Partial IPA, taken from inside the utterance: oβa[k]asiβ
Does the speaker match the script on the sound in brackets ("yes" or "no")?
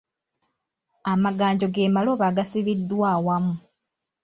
no